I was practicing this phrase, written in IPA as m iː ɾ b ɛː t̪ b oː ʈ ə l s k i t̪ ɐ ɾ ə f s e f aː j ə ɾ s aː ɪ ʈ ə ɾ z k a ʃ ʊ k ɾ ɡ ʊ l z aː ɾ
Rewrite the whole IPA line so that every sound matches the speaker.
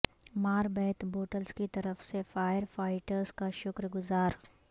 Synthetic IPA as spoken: m aː ɾ b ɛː t̪ b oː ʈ ə l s k i t̪ ɐ ɾ ə f s e f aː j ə ɾ f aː ɪ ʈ ə ɾ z k a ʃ ʊ k ɾ ɡ ʊ z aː ɾ